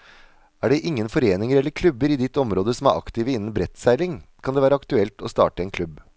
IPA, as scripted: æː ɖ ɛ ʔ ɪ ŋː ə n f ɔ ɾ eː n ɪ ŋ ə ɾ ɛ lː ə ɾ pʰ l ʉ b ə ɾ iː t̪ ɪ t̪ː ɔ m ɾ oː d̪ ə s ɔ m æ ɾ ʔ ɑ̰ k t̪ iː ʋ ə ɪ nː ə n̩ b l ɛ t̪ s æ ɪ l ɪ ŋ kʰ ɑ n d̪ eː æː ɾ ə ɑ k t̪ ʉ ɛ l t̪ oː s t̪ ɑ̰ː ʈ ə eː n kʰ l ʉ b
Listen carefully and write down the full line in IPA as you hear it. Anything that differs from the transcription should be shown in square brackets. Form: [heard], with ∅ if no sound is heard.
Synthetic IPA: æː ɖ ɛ ʔ ɪ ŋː ə n f ɔ ɾ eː n ɪ ŋ ə ɾ ɛ lː ə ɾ [kʰ] l ʉ b ə ɾ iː [d̪] ɪ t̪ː ɔ m ɾ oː d̪ ə s ɔ m æ ɾ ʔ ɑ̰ k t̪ iː ʋ ə ɪ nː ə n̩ b [ɾ] ɛ t̪ s æ ɪ l ɪ ŋ kʰ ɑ n d̪ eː æː ɾ ə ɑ k t̪ ʉ ɛ l t̪ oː s t̪ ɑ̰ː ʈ ə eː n kʰ l ʉ b